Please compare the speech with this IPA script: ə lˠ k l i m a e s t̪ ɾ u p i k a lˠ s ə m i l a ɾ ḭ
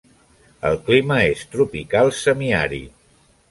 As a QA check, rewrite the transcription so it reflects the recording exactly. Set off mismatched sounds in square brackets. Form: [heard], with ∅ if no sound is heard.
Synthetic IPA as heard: ə lˠ k l i m [ə] e s t̪ ɾ u p i k a lˠ s ə m i [∅] a ɾ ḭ